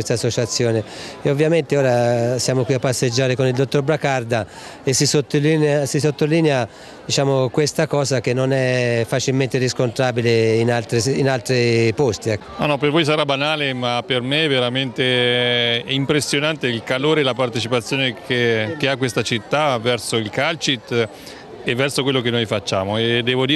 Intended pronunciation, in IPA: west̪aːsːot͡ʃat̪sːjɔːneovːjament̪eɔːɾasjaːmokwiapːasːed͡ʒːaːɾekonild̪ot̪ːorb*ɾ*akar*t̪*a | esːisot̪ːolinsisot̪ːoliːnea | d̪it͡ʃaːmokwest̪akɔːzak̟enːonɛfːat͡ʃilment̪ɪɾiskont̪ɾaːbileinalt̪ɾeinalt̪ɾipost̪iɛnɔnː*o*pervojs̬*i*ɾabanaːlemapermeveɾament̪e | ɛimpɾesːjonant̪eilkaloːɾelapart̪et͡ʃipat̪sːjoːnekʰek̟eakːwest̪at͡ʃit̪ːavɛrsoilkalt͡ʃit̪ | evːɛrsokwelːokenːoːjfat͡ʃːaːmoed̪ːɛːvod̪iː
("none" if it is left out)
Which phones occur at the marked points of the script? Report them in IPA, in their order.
ɾ, d̪, ɔ, a

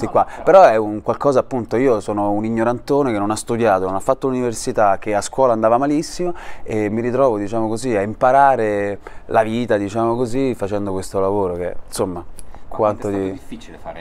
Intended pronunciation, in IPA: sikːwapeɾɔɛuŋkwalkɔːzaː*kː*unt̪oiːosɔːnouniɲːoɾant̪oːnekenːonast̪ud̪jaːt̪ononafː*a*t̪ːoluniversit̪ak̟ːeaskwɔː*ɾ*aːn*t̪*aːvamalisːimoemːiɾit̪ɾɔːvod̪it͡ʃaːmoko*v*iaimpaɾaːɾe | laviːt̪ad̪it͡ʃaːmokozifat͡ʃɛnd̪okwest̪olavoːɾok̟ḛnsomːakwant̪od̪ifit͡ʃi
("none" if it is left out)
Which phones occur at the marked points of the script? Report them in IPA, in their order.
pː, a, l, d̪, z

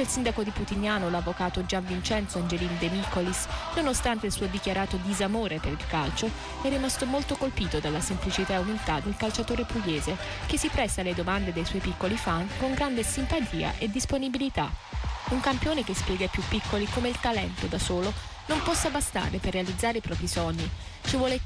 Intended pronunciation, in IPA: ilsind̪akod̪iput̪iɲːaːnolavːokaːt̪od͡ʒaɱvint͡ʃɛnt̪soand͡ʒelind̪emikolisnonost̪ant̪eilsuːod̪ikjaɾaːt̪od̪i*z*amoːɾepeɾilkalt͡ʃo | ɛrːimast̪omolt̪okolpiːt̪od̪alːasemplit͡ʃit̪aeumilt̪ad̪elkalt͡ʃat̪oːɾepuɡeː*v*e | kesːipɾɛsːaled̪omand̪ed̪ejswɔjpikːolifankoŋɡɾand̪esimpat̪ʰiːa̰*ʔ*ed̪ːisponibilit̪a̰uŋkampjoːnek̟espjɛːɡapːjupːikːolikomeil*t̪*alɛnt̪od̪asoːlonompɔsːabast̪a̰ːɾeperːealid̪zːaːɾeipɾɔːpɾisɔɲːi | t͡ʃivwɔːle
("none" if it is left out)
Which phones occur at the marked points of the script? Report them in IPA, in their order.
z, z, ʔ, t̪

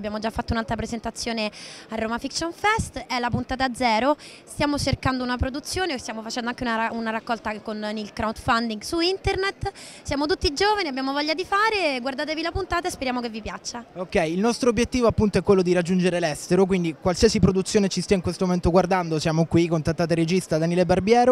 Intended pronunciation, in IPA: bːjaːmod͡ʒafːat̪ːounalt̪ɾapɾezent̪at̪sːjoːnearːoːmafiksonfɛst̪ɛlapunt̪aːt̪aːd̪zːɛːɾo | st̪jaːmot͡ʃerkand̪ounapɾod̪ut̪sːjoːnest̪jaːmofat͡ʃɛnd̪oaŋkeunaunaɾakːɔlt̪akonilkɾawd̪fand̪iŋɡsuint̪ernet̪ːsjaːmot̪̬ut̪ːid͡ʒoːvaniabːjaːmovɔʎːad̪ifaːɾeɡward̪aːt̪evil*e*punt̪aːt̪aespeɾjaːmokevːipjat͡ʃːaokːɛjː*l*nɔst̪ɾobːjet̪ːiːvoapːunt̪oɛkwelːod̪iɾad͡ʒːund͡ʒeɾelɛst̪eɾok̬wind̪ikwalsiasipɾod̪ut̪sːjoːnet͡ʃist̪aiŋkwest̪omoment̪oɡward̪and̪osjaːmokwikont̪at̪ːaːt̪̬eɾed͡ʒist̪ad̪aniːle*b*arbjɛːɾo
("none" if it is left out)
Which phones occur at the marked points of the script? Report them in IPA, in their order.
a, l, b

